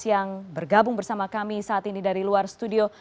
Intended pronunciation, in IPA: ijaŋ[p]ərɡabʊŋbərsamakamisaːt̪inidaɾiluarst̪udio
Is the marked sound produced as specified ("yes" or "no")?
no